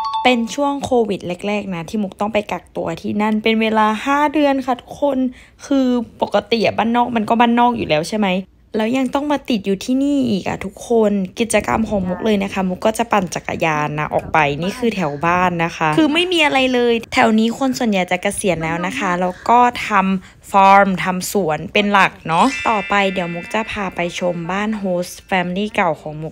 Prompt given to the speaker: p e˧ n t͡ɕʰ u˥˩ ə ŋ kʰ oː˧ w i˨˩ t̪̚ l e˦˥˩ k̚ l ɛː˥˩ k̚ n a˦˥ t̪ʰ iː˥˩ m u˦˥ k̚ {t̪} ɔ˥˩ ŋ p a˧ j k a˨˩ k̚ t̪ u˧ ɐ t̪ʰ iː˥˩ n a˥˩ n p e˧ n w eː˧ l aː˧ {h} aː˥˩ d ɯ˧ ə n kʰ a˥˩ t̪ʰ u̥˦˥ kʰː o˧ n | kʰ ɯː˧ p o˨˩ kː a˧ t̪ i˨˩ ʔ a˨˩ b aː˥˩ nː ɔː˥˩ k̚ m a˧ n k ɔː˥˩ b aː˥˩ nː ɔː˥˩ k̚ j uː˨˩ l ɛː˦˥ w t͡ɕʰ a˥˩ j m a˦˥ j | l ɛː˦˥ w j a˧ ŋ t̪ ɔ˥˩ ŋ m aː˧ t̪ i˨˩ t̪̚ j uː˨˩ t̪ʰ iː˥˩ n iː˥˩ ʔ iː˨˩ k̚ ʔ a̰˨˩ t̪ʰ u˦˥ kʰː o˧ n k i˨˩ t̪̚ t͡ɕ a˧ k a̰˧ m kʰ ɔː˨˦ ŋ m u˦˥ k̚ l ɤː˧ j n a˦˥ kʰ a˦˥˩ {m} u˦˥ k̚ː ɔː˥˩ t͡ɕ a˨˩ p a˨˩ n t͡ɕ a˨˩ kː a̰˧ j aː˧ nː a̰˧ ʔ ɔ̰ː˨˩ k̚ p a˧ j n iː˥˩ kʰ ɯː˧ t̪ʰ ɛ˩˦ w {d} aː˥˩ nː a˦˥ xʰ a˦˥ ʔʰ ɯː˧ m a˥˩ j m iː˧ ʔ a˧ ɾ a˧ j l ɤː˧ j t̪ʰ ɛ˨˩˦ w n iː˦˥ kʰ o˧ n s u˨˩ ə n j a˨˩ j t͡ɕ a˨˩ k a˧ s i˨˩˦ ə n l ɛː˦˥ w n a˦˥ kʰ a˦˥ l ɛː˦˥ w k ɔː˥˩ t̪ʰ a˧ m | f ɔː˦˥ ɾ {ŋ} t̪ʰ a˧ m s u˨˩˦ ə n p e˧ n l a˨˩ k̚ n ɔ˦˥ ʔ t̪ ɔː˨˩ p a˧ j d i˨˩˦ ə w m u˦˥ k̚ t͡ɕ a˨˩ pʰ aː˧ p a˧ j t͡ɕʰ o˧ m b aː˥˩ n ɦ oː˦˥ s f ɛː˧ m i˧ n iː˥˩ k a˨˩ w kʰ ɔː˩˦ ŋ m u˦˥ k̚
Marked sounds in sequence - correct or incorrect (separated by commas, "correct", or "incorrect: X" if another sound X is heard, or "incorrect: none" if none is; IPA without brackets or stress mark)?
correct, correct, correct, incorrect: b, incorrect: m